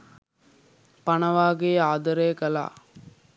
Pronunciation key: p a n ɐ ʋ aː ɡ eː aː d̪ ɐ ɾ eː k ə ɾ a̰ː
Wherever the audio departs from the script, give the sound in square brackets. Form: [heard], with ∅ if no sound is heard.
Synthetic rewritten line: p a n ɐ ʋ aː ɡ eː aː d̪ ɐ ɾ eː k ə [l] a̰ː